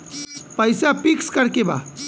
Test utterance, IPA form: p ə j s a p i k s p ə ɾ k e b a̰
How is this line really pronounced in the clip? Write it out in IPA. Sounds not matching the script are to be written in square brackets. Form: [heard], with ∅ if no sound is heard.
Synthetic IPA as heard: p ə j s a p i k s [k] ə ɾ k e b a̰